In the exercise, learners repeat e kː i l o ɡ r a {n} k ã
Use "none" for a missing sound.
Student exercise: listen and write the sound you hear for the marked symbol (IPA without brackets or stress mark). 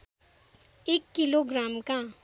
m